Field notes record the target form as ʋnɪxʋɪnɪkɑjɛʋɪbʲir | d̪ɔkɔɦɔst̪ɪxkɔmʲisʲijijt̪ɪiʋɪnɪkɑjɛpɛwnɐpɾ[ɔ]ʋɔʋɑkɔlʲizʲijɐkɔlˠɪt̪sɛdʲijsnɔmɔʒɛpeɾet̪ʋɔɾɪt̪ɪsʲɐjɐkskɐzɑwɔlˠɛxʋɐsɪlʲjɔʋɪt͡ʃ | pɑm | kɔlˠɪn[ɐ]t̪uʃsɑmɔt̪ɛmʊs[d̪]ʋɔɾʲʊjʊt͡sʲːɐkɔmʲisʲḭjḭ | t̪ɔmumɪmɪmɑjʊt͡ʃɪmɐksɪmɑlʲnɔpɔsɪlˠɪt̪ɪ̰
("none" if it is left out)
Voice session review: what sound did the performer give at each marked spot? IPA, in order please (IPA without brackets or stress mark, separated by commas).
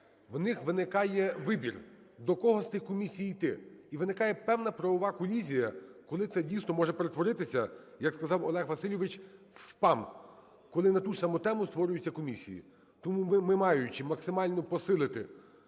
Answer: ɔ, ɐ, t̪